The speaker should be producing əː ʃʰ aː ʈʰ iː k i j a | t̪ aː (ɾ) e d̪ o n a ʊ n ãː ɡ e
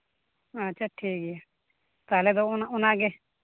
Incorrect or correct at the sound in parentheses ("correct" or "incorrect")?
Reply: incorrect